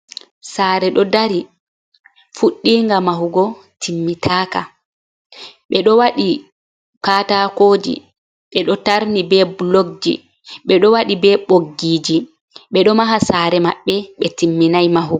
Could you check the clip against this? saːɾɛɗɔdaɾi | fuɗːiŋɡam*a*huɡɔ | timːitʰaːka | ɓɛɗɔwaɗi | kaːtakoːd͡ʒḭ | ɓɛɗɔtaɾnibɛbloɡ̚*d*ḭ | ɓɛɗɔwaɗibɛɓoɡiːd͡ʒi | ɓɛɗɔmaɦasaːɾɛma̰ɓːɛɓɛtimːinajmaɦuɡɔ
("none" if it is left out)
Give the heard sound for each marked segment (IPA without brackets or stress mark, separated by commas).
a, d͡ʒ